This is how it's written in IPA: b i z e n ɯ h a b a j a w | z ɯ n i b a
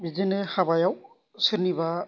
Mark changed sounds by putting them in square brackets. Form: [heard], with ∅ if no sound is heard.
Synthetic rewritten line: b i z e n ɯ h a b a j a w | [s] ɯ n i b a